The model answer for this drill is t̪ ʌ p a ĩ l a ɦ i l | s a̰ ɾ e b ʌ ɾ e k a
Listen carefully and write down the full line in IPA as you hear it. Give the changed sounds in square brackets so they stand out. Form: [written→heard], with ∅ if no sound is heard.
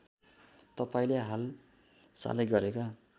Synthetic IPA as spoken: t̪ ʌ p a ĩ l [a→e] ɦ [i→a] l | s a̰ [ɾ→l] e [b→ɡ] ʌ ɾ e k a